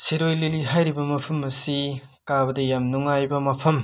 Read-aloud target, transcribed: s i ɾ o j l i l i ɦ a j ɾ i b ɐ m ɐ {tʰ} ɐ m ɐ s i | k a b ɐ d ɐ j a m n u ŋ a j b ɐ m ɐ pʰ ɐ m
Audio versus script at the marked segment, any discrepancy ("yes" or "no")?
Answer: yes